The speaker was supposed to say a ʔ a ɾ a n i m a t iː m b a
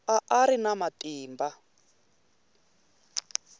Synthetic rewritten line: a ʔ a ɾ i n a m a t iː m b a

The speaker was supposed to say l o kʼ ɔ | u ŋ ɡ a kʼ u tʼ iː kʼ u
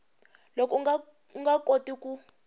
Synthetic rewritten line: l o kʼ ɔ | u ŋ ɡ a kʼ o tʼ i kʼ u

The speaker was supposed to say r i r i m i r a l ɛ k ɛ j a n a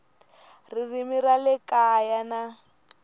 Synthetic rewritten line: r i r i m i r a l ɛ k a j a n a

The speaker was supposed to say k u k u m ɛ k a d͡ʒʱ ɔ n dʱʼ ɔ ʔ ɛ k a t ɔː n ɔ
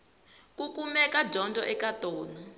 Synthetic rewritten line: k u k u m ɛ k a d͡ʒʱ ɔ n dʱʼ ɔ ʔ ɛ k a t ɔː n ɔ

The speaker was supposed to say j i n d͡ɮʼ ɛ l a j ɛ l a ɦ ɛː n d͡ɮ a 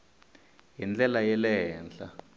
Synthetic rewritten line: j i n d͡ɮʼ ɛ l a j ɛ l ɛ ɦ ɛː n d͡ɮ a

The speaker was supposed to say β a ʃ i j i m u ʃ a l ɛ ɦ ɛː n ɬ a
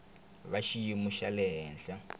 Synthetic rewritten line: β a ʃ i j i m u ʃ a l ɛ ɦ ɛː n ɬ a

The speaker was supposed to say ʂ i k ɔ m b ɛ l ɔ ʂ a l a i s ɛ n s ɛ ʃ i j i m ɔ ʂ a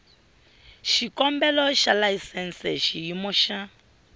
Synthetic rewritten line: ʃ i k ɔ m b ɛ l ɔ ʃ a l a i s ɛ n s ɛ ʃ i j i m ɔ ʃ a

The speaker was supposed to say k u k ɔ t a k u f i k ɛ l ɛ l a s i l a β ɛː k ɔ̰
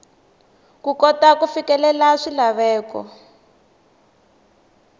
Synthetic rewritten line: k u k ɔ t a k u f i k ɛ l ɛ l a ʂ i l a β ɛː k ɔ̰

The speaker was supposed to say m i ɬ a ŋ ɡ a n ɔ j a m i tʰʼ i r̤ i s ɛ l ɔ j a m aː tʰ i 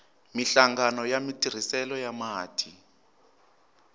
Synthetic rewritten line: m i ɬ a ŋ ɡ a n ɔ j a m i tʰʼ i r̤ i s ɛ l ɔ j a m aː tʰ i

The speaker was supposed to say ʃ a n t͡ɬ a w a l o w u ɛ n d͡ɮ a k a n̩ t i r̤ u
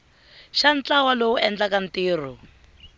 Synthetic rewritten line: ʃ a n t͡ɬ a w a l o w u ɛ n d͡ɮ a k a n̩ t iː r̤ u

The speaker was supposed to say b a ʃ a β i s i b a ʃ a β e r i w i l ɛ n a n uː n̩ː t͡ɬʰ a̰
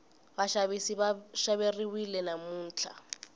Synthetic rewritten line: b a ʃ a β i s i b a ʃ a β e r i w i l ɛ n a m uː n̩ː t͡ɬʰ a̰

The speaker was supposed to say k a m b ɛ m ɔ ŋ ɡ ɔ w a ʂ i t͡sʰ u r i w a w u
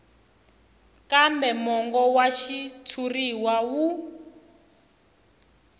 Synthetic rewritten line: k a m b ɛ m ɔ ŋ ɡ ɔ w a ʃ i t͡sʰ u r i w a w u

